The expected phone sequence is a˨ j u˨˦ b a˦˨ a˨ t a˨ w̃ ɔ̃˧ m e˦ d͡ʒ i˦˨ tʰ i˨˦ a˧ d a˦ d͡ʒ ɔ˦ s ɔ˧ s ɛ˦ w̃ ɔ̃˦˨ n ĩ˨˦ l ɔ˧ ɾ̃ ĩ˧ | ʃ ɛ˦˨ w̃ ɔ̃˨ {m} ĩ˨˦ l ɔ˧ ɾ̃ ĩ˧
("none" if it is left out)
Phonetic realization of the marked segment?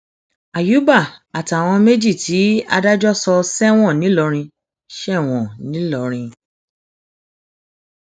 n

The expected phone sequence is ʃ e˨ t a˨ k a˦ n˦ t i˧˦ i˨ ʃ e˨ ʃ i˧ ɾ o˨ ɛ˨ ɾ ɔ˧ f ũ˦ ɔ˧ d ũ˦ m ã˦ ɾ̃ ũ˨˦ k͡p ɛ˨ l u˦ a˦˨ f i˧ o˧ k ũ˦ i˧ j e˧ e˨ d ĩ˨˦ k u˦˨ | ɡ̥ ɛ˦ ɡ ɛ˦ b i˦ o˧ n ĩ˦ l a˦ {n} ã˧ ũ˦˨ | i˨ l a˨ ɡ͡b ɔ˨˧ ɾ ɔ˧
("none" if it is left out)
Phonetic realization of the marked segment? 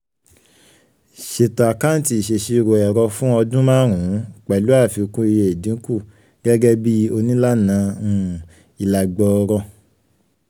n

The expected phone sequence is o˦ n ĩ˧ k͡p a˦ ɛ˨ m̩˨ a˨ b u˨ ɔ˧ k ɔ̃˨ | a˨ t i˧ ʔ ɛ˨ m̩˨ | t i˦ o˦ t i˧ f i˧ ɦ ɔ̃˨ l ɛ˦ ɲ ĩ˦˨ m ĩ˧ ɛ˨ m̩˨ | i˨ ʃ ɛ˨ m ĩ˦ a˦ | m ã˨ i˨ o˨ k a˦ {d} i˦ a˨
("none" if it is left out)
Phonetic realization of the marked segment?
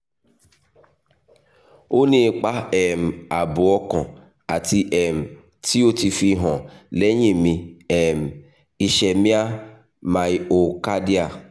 d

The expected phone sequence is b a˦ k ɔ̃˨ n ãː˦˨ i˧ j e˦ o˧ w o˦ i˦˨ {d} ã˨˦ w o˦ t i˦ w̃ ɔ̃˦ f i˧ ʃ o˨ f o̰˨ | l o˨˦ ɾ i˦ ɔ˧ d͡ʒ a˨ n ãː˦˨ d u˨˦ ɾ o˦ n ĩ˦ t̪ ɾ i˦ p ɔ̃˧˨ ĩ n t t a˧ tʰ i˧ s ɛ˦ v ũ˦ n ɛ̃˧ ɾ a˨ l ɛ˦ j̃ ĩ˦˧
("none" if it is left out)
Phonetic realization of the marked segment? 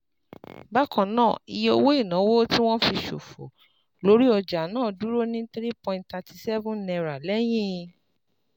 n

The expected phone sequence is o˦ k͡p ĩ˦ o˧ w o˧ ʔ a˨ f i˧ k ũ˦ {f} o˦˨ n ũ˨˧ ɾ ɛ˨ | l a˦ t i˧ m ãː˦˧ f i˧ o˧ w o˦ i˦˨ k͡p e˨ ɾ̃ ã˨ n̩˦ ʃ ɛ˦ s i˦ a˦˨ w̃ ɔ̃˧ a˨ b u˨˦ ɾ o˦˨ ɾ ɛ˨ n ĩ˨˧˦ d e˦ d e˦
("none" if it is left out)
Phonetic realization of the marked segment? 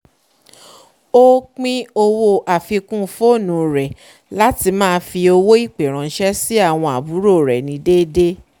f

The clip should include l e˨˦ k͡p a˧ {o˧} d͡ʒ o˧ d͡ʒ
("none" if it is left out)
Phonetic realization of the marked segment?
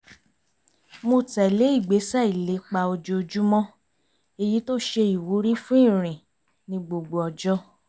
o˧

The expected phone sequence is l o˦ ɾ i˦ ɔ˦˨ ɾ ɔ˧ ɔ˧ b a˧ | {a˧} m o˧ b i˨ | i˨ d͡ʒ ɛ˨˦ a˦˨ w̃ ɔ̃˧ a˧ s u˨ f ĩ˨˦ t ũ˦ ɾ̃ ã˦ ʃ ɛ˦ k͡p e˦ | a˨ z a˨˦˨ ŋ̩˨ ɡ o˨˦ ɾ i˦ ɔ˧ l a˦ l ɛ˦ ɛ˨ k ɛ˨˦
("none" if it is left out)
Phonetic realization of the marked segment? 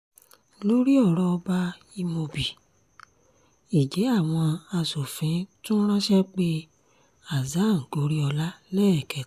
i˧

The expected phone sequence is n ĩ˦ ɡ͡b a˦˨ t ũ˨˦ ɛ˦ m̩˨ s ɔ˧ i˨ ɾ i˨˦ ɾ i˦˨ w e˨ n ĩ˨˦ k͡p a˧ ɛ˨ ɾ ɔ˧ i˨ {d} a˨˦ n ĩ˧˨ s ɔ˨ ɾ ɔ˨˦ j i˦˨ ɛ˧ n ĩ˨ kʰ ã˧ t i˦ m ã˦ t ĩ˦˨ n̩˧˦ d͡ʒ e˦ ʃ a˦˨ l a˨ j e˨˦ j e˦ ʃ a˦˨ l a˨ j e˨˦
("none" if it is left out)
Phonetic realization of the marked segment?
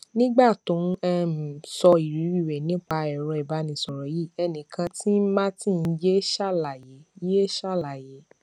b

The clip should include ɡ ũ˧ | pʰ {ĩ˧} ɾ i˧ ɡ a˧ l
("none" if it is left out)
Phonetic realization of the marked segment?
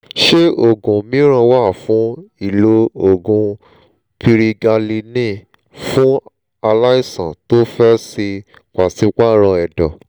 i˧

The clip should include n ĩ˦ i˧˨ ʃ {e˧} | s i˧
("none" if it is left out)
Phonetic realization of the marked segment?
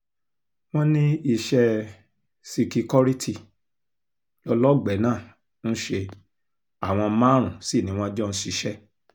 ɛ˧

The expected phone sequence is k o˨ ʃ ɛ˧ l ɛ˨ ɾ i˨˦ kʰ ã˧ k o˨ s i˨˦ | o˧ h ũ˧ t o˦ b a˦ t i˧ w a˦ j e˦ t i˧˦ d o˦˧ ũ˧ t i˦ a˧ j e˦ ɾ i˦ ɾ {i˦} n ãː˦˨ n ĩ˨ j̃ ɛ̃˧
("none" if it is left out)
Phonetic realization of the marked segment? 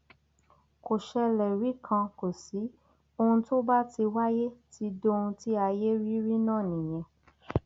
i˦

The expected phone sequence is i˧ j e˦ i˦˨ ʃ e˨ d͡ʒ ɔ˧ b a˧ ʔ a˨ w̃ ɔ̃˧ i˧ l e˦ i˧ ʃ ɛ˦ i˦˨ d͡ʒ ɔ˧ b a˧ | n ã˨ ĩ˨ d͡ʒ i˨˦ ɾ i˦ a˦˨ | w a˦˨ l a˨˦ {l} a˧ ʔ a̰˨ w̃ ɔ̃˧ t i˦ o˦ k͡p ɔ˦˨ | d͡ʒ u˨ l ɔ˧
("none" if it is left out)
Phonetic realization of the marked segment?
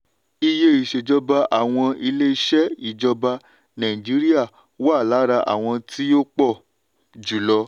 ɾ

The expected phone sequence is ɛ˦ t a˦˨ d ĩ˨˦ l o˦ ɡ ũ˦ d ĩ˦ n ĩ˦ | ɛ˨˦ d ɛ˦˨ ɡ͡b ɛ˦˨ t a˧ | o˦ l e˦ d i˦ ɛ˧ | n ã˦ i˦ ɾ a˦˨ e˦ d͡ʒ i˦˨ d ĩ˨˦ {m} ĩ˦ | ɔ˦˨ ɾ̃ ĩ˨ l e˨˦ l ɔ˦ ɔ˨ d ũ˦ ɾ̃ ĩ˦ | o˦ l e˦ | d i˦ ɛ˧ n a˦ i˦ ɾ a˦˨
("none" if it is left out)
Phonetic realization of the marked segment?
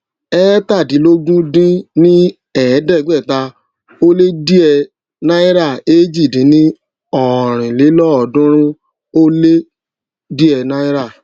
n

